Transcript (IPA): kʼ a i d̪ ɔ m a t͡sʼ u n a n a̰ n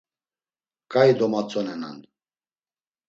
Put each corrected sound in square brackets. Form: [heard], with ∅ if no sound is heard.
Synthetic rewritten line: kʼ a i d̪ ɔ m a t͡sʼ [ɔ] n [ɛ] n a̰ n